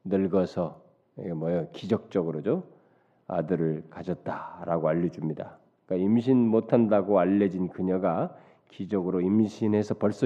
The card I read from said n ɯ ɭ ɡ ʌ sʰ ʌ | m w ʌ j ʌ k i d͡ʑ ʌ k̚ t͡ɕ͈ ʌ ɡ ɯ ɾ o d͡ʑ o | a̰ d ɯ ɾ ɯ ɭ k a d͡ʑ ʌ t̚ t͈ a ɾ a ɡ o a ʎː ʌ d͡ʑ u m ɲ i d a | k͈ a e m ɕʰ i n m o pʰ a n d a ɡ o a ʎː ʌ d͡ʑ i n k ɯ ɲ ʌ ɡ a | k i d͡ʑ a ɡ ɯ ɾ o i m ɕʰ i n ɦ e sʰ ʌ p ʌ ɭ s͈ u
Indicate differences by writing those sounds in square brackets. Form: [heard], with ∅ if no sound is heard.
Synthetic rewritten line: n ɯ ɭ ɡ ʌ sʰ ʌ | m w ʌ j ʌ k i d͡ʑ ʌ k̚ t͡ɕ͈ ʌ ɡ ɯ ɾ o d͡ʑ o | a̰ d ɯ ɾ ɯ ɭ k a d͡ʑ ʌ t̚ t͈ a ɾ a ɡ o a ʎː ʌ d͡ʑ u m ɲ i d a | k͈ a [i] m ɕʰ i n m o [tʰ] a n d a ɡ o a ʎː ʌ d͡ʑ i n k ɯ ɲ ʌ ɡ a | k i d͡ʑ [ʌ] ɡ ɯ ɾ o i m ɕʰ i n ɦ e sʰ ʌ p ʌ ɭ s͈ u